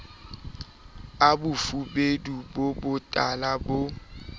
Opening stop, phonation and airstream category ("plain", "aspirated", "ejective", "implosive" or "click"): plain